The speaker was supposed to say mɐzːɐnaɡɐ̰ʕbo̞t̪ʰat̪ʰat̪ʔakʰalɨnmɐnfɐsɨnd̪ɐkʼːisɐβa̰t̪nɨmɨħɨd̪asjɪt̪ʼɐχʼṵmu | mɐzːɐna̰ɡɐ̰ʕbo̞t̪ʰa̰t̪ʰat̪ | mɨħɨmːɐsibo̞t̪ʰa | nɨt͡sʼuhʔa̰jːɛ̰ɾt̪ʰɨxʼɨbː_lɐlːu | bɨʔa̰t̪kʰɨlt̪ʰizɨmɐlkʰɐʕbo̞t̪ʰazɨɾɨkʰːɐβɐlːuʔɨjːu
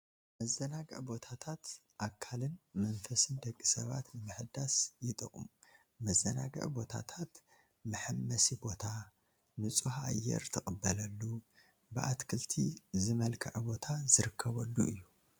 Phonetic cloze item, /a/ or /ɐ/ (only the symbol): ɐ